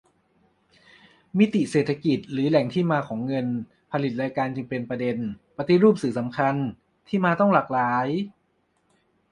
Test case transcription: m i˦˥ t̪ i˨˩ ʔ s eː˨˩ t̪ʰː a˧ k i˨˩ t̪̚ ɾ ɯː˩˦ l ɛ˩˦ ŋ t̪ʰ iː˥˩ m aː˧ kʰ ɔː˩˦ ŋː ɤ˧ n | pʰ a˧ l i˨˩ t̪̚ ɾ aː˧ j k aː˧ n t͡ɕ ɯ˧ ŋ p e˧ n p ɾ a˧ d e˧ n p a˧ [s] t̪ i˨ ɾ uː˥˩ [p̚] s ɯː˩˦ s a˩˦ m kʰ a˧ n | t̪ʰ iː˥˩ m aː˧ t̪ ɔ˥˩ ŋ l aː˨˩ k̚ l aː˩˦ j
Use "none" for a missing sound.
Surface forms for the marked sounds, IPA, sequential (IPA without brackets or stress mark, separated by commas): none, p̚